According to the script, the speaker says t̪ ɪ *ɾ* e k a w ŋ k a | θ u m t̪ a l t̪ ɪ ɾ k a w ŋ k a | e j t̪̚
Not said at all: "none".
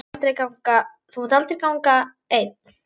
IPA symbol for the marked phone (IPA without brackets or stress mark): ɾ